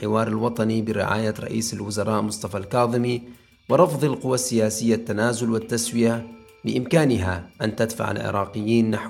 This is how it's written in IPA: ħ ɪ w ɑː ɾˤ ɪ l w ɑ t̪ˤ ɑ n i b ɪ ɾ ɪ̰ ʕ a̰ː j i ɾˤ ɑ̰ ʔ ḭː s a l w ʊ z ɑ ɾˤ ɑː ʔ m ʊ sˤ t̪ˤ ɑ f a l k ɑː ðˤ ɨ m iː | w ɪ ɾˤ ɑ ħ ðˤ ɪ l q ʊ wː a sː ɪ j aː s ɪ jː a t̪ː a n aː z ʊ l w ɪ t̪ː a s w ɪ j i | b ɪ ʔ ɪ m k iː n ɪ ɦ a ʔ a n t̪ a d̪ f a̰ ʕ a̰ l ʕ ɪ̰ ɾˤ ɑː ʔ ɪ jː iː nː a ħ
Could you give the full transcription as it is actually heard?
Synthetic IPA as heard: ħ ɪ w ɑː ɾˤ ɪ l w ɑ t̪ˤ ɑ n i b ɪ ɾ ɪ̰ ʕ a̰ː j a ɾˤ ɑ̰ ʔ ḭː s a l w ʊ z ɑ ɾˤ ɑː ʔ m ʊ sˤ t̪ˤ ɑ f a l k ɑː ðˤ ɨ m i | w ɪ ɾˤ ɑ f ðˤ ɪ l q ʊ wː a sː ɪ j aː s ɪ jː a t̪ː a n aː z ʊ l w ɪ t̪ː a s w ɪ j a | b ɪ ʔ ɪ m k aː n ɪ ɦ a ʔ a n t̪ a d̪ f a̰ ʕ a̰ l ʕ ɪ̰ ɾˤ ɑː q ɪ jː iː nː a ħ